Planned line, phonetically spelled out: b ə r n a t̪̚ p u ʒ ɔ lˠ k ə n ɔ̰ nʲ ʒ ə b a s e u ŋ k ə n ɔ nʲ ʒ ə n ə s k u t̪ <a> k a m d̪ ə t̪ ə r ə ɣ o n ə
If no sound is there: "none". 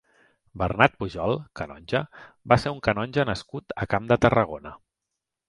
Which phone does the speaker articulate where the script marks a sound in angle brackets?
ə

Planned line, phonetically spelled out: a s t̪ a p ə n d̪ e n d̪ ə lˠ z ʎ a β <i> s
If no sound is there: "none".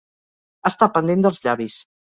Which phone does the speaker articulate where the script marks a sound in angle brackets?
i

